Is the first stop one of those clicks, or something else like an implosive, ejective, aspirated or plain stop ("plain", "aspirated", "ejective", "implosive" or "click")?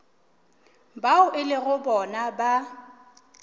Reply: plain